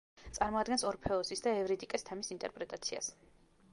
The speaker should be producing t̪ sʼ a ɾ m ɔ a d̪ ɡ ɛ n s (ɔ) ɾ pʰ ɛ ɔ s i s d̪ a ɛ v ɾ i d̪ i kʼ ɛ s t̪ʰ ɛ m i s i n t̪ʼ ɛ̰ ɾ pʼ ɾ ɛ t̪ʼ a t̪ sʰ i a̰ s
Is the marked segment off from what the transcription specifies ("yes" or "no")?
no